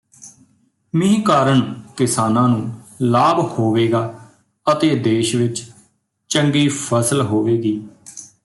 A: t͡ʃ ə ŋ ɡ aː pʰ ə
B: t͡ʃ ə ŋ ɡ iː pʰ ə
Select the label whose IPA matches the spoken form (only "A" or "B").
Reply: B